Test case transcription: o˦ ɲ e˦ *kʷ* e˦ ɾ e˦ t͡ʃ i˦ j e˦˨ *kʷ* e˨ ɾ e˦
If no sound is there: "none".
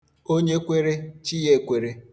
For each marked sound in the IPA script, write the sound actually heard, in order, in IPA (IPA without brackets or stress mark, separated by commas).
kʷ, kʷ